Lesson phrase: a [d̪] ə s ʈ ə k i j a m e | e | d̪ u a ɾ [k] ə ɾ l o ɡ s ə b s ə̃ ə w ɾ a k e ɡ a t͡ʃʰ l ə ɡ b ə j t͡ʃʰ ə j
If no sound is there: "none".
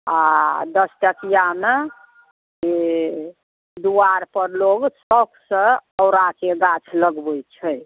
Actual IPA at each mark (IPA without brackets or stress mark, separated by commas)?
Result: d̪, p